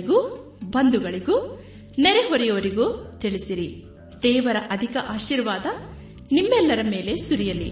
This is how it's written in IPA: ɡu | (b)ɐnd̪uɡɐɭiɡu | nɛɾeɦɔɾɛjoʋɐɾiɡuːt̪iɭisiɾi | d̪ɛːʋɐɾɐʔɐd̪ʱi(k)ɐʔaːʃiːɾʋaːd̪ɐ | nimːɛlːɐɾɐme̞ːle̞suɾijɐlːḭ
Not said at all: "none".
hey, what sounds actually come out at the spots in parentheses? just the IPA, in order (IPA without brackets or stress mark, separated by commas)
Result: b, k